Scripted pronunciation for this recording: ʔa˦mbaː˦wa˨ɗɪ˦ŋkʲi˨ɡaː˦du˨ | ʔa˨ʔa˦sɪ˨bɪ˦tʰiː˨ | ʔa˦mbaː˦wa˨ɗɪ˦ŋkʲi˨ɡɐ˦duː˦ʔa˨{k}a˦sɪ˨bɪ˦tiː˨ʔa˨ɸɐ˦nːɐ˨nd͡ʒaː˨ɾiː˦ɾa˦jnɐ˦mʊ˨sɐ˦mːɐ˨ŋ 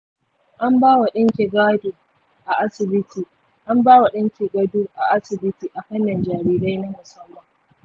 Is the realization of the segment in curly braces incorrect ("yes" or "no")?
yes